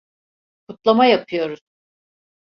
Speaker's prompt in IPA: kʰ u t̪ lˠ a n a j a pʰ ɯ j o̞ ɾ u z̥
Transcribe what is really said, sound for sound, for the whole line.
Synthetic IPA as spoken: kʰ u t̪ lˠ a m a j a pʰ ɯ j o̞ ɾ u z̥